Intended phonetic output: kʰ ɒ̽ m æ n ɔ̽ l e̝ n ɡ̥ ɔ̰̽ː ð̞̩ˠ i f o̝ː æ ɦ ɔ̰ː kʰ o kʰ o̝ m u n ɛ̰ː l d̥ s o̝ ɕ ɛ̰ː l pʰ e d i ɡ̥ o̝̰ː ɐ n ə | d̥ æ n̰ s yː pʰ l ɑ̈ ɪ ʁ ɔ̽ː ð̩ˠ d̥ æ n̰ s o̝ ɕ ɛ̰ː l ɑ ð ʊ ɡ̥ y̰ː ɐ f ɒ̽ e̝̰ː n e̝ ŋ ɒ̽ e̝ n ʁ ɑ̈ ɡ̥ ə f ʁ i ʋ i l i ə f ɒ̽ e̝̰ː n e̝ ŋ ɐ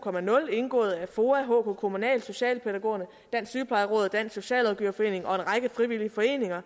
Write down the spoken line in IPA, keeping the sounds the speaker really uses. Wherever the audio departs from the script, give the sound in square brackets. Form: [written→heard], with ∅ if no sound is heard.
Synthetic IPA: kʰ ɒ̽ m æ n ɔ̽ l e̝ n ɡ̥ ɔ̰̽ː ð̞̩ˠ [i→æ] f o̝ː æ ɦ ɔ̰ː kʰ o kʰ o̝ m u n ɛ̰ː l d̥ s o̝ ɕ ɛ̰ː l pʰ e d [i→æ] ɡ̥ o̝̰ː ɐ n ə | d̥ æ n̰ s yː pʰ l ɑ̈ ɪ ʁ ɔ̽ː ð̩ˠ d̥ æ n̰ s o̝ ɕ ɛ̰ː l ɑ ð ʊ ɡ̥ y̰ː ɐ f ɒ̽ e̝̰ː n e̝ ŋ ɒ̽ e̝ n ʁ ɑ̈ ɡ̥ ə f ʁ i ʋ i l i ə f ɒ̽ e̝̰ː n e̝ ŋ ɐ